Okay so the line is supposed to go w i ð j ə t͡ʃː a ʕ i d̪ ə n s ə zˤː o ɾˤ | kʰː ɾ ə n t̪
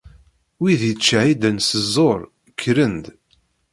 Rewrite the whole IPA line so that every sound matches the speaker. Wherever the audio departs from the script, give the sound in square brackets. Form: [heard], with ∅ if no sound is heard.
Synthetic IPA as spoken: w i ð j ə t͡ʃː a ʕ i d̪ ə n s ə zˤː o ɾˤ | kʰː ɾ ə n [d̪]